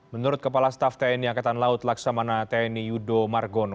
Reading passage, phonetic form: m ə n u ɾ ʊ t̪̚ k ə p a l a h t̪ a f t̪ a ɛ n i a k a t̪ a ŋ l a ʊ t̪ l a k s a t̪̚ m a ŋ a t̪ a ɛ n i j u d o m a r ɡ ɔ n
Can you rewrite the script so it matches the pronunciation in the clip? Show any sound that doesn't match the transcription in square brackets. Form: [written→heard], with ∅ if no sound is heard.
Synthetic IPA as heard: m ə n u ɾ ʊ t̪̚ k ə p a l a [h→s] t̪ a f t̪ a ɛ n i a k a t̪ a [ŋ→n] l a ʊ t̪ l a k s a [t̪̚→∅] m a [ŋ→n] a t̪ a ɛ n i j u d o m a r ɡ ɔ n